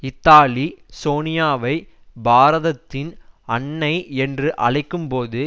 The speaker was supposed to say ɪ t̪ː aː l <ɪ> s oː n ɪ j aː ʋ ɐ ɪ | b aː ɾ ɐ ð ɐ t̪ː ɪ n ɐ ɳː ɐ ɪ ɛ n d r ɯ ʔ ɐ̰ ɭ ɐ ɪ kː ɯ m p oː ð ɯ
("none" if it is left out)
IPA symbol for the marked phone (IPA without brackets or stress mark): i